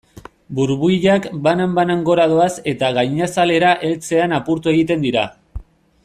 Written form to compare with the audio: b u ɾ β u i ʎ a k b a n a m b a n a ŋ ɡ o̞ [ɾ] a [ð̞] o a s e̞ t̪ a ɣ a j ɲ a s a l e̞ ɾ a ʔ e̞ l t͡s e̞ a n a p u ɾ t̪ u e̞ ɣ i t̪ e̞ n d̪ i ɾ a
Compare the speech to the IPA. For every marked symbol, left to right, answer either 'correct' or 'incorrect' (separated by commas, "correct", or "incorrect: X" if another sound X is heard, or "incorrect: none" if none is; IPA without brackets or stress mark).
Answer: correct, correct